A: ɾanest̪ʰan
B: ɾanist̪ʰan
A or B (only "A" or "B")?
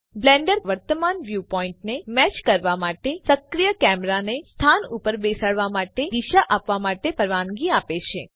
A